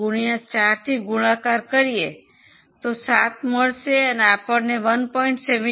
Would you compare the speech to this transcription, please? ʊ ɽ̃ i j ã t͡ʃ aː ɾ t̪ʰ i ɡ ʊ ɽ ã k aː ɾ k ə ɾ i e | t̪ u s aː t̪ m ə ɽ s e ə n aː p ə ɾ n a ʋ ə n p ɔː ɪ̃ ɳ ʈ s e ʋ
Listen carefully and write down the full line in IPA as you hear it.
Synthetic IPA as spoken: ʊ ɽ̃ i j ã t͡ʃ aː ɾ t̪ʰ i ɡ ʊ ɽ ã k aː ɾ k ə ɾ i e | t̪ o s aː t̪ m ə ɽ s e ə n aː p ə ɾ n e ʋ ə n p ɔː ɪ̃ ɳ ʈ s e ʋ